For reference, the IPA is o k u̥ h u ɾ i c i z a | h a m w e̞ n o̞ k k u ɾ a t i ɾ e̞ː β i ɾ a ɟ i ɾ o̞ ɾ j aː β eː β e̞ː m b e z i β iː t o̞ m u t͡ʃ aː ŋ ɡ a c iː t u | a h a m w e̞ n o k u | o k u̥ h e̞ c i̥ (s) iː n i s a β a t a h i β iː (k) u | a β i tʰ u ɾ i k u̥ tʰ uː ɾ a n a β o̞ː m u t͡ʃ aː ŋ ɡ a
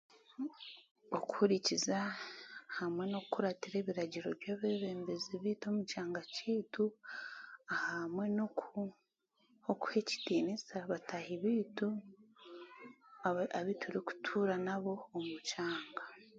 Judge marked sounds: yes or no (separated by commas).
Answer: no, no